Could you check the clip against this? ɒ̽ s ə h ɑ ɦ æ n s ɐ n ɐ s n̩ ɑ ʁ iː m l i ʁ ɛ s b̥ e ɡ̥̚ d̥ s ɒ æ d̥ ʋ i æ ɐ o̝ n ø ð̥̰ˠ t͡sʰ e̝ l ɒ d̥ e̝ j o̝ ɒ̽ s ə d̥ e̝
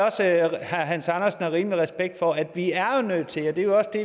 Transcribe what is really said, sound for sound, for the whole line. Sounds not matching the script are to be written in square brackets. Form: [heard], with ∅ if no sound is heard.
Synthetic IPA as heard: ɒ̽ s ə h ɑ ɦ æ n s [ɑ] n ɐ s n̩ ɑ ʁ iː m l i ʁ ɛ s b̥ e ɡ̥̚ d̥ [f] ɒ æ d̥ ʋ i æ ɐ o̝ n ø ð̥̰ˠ t͡sʰ e̝ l ɒ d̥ e̝ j o̝ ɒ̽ s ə d̥ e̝